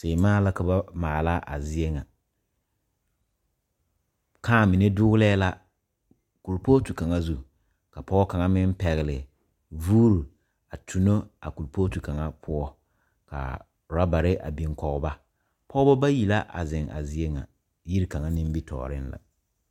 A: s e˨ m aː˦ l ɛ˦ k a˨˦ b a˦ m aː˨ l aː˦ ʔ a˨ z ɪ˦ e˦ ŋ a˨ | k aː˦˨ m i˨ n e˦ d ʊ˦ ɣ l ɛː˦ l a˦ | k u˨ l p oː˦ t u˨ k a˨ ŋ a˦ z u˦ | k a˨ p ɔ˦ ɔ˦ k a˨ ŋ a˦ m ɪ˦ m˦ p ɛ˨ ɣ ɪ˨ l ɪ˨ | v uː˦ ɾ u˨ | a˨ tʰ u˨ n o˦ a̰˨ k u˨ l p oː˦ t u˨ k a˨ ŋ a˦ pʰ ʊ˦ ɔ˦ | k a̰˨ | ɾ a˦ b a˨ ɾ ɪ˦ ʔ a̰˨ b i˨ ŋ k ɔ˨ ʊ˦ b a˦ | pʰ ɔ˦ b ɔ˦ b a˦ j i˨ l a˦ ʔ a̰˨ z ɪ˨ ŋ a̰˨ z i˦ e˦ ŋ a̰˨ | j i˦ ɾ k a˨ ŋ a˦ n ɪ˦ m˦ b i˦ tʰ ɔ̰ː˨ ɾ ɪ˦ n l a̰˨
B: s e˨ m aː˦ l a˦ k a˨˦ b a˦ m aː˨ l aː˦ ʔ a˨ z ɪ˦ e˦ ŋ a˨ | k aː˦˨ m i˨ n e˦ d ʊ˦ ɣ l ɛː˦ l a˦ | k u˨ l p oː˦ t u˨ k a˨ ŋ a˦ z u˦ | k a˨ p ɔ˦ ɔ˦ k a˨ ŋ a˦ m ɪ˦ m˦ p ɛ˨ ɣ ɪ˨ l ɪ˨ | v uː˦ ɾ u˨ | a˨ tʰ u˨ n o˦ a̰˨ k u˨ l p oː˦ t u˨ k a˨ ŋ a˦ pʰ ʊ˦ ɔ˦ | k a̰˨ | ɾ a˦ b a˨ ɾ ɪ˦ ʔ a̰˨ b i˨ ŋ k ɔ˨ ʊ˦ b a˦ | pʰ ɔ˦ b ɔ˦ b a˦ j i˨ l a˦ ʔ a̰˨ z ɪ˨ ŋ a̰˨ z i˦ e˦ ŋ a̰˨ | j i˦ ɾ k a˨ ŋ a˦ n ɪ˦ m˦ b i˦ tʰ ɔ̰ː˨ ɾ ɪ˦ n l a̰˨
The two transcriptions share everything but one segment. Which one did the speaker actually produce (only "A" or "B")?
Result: B